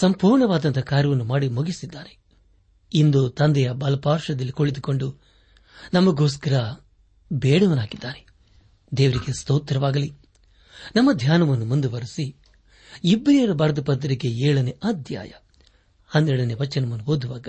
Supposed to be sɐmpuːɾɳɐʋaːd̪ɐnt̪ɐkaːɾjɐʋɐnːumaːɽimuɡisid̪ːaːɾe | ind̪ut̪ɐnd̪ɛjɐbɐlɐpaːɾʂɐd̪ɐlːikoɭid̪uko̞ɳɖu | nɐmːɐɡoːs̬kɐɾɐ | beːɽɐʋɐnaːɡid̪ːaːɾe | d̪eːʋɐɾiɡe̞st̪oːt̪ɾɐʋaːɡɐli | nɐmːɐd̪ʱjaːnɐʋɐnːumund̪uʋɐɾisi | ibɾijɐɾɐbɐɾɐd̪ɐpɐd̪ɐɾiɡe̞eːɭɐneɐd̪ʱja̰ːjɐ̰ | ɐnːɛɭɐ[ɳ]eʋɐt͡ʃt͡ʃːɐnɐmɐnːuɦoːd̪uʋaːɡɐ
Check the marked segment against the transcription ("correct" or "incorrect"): incorrect